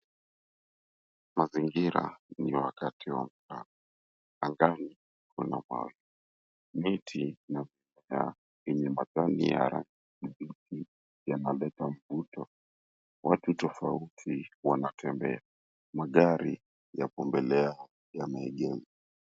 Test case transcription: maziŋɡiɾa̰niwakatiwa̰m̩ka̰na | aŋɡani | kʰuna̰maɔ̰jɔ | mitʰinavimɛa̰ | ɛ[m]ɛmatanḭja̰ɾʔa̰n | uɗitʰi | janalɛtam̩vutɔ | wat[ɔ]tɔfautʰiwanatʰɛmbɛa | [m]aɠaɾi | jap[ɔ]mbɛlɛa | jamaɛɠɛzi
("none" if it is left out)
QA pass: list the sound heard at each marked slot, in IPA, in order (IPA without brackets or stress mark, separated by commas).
ɲ, u, m, ɔ